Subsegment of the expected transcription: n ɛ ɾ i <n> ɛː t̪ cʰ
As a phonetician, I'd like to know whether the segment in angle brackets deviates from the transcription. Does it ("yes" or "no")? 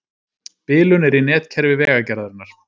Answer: no